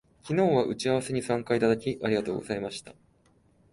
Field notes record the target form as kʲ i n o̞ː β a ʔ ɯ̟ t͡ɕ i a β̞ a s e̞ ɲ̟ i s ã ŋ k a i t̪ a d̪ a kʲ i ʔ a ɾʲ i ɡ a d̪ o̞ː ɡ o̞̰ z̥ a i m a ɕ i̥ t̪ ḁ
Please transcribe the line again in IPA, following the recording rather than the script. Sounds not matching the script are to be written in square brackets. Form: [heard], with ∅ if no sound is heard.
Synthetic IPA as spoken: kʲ i n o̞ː β a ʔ ɯ̟ t͡ɕ i a β̞ a s e̞ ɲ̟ i s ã ŋ k a i t̪ a d̪ a kʲ i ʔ a ɾʲ i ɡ a [t̪] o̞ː ɡ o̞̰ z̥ a i m a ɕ i̥ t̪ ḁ